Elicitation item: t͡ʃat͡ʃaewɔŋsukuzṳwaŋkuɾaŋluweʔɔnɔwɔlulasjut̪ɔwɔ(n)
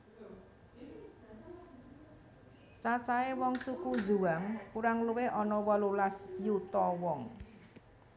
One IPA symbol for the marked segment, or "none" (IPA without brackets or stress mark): ŋ